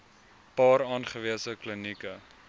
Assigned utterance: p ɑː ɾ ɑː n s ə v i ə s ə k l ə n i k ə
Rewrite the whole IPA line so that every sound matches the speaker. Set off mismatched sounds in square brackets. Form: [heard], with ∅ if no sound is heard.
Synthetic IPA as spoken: p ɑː ɾ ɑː n [χ] ə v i ə s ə k l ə n i k ə